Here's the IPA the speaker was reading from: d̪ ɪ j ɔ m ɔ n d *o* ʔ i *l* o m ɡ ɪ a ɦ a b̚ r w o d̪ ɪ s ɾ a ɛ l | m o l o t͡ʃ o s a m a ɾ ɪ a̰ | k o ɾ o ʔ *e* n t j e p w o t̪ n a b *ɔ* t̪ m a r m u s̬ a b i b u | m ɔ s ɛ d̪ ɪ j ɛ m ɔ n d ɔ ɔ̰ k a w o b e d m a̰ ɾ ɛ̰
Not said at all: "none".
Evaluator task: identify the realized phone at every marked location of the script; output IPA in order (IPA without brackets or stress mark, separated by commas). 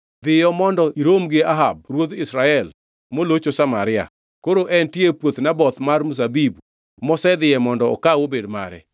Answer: ɔ, ɾ, ɛ, ɔ